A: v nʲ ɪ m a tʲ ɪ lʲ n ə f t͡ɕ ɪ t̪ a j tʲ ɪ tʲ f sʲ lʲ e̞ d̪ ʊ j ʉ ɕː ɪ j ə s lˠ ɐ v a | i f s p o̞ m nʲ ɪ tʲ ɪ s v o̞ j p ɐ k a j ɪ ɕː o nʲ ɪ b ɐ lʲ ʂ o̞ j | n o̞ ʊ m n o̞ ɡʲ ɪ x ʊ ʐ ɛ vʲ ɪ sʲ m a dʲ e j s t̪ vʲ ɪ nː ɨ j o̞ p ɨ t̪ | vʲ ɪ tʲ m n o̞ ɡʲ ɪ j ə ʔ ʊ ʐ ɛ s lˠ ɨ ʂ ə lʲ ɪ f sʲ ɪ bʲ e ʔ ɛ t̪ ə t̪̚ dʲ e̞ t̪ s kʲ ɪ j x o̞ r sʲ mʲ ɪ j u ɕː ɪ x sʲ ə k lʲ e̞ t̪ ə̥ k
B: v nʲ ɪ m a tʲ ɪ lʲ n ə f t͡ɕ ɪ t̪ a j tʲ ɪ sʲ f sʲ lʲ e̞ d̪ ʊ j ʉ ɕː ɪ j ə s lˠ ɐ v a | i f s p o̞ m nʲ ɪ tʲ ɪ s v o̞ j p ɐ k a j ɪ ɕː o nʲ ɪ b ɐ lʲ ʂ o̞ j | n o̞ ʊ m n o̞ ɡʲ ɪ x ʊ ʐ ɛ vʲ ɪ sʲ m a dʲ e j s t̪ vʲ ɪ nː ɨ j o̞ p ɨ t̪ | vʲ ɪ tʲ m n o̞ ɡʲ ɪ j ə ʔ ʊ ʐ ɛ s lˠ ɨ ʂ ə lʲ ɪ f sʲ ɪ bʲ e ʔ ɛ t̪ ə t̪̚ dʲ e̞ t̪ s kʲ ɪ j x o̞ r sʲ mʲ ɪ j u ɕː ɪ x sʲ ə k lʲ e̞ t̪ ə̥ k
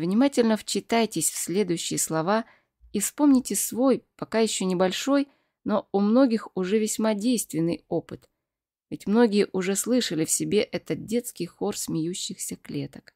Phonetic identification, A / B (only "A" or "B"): B